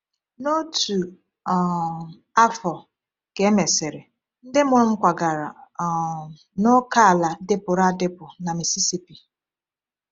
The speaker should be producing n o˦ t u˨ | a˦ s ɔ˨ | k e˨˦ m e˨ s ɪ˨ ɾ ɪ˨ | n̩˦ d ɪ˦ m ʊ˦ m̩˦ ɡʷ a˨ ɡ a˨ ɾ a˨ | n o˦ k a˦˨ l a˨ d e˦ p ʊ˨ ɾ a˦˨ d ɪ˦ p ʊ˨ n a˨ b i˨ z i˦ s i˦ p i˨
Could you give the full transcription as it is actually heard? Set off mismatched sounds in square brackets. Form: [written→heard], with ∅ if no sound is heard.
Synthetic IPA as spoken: n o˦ t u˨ | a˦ [s→f] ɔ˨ | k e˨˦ m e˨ s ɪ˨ ɾ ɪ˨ | n̩˦ d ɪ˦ m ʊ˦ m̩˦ [ɡʷ→kʷ] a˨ ɡ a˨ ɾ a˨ | n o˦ k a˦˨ l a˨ d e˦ p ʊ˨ ɾ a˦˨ d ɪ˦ p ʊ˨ n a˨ [b→m] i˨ [z→s] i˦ s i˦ p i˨